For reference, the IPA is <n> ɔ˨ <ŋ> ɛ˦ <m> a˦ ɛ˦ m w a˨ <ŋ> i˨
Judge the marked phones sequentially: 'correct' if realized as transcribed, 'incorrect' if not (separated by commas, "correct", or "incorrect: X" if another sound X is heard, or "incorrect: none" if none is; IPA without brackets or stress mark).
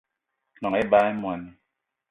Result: correct, correct, incorrect: b, incorrect: n